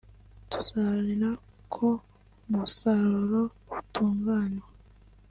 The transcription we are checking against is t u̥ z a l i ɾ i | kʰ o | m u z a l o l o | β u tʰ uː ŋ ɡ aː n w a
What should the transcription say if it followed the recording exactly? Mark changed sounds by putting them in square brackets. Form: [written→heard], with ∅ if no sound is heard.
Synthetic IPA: t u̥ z a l i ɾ [i→a] | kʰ o | m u [z→s] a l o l o | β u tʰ uː ŋ ɡ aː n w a